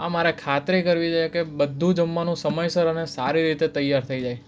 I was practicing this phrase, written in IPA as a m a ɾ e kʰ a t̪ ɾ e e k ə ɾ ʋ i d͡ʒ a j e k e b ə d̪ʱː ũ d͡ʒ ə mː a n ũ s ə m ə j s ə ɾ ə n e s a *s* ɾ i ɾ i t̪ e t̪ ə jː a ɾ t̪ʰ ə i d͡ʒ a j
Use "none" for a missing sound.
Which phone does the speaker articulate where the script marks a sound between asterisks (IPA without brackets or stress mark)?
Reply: none